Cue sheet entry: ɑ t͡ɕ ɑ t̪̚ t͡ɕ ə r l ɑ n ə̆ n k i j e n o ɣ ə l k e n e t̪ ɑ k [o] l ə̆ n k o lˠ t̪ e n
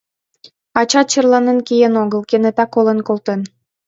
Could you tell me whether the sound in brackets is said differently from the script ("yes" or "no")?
no